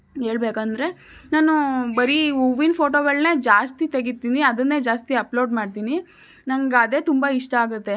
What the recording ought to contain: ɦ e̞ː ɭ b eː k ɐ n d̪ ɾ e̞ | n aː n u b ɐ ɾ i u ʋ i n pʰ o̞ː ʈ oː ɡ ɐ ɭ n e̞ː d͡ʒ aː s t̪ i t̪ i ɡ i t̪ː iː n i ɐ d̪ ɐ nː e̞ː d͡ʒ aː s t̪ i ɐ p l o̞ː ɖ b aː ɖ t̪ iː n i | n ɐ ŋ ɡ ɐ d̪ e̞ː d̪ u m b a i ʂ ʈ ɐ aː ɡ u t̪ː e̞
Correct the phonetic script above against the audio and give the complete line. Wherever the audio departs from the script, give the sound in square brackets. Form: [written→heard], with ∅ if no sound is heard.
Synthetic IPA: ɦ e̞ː ɭ b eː k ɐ n d̪ ɾ e̞ | n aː n u b ɐ ɾ i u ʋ i n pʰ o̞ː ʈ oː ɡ ɐ ɭ n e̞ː d͡ʒ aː s t̪ i t̪ [i→e] ɡ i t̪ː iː n i ɐ d̪ ɐ nː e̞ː d͡ʒ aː s t̪ i ɐ p l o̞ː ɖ [b→m] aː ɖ t̪ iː n i | n ɐ ŋ ɡ ɐ d̪ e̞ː [d̪→t̪] u m b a i ʂ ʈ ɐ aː ɡ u t̪ː e̞

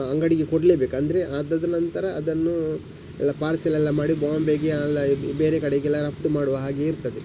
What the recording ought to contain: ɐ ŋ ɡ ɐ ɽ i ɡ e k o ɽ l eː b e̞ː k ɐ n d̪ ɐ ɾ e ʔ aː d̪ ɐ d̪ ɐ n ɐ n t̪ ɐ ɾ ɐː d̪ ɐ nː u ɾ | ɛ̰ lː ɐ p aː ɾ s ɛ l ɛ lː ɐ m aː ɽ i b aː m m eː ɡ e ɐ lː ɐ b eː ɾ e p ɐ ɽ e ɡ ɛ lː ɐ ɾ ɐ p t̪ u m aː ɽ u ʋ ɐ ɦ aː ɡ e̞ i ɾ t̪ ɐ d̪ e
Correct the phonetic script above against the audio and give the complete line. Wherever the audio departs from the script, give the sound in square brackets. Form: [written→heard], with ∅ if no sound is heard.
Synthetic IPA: ɐ ŋ ɡ ɐ ɽ i ɡ e k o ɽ l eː b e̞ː k ɐ n d̪ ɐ ɾ e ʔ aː d̪ ɐ d̪ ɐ n ɐ n t̪ ɐ ɾ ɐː d̪ ɐ nː u [ɾ→∅] | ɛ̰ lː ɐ p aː ɾ s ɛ l ɛ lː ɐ m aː ɽ i b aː m [m→b] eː ɡ e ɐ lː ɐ b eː ɾ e [p→k] ɐ ɽ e ɡ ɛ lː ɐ ɾ ɐ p t̪ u m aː ɽ u ʋ ɐ ɦ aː ɡ e̞ i ɾ t̪ ɐ d̪ e

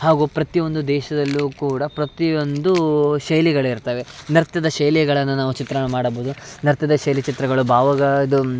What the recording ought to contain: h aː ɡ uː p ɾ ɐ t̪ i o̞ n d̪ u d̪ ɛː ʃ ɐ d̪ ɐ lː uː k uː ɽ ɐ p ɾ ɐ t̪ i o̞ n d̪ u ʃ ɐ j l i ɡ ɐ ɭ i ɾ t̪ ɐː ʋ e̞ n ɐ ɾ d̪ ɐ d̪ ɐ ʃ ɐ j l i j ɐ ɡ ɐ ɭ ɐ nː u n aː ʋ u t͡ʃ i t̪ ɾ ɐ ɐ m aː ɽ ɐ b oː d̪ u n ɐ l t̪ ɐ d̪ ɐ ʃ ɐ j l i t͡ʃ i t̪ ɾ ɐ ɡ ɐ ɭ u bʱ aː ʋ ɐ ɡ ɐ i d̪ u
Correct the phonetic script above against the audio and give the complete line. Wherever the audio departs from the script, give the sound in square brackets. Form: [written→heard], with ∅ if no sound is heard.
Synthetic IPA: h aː ɡ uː p ɾ ɐ t̪ i o̞ n d̪ u d̪ ɛː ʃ ɐ d̪ ɐ lː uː k uː ɽ ɐ p ɾ ɐ t̪ i o̞ n d̪ u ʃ ɐ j l i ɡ ɐ ɭ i ɾ t̪ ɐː ʋ e̞ n ɐ ɾ [d̪→t̪] ɐ d̪ ɐ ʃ ɐ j l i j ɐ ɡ ɐ ɭ ɐ nː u n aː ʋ u t͡ʃ i t̪ ɾ ɐ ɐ m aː ɽ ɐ b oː d̪ u n ɐ [l→ɾ] t̪ ɐ d̪ ɐ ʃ ɐ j l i t͡ʃ i t̪ ɾ ɐ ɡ ɐ ɭ u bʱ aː ʋ ɐ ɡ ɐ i d̪ u

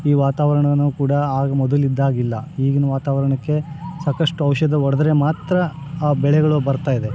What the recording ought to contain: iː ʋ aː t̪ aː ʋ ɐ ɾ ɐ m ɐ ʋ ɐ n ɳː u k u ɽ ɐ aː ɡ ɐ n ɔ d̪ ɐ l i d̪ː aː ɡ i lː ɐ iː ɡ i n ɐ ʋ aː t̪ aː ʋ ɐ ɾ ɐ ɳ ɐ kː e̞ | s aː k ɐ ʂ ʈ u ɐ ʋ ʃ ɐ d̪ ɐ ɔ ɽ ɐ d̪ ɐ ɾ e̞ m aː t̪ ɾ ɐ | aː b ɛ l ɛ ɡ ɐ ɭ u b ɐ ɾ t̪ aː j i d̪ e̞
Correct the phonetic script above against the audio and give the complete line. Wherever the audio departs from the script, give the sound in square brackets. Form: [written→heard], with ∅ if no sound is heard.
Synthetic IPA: iː ʋ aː t̪ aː ʋ ɐ ɾ ɐ [m→ɳ] ɐ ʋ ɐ n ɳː u k [u→uː] ɽ ɐ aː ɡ ɐ [n→m] ɔ d̪ ɐ l i d̪ː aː ɡ i lː ɐ iː ɡ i n ɐ ʋ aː t̪ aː ʋ ɐ ɾ ɐ ɳ ɐ kː e̞ | s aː k ɐ ʂ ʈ u ɐ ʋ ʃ ɐ d̪ ɐ ɔ ɽ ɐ d̪ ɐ ɾ e̞ m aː t̪ ɾ ɐ | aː b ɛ [l→ɭ] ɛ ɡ ɐ ɭ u b ɐ ɾ t̪ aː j i d̪ e̞

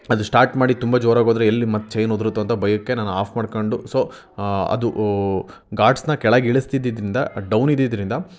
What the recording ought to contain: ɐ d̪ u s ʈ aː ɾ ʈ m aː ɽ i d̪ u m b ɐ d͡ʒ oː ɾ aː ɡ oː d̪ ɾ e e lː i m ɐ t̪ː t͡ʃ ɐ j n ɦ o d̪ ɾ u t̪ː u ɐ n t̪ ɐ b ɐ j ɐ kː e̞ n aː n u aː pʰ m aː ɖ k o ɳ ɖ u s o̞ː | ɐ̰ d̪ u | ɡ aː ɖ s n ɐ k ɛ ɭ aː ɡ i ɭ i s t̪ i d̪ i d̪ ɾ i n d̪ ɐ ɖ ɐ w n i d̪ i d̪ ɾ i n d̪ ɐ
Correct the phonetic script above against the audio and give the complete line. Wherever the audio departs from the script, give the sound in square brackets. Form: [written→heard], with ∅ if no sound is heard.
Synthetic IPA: ɐ d̪ u s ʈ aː ɾ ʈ m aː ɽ i [d̪→t̪] u m b ɐ d͡ʒ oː ɾ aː ɡ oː d̪ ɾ e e lː i m ɐ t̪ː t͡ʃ ɐ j n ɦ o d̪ ɾ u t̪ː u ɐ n t̪ ɐ b ɐ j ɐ kː e̞ n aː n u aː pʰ m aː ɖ k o ɳ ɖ u s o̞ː | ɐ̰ d̪ u | ɡ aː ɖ s n ɐ k ɛ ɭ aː ɡ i ɭ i s t̪ i d̪ i d̪ ɾ i n d̪ ɐ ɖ ɐ w n i d̪ i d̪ ɾ i n d̪ ɐ

